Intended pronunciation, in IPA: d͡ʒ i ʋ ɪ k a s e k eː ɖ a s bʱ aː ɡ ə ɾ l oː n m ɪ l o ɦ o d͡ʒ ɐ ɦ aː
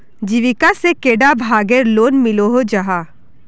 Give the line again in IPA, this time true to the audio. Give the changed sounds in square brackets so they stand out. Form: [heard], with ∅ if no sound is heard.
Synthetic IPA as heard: d͡ʒ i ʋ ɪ k a s e k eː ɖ a [∅] bʱ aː ɡ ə ɾ l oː n m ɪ l o ɦ o d͡ʒ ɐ ɦ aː